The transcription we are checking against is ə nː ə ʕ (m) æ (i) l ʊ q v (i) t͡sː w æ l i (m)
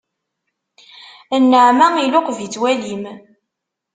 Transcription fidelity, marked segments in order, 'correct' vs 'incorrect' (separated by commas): correct, correct, correct, correct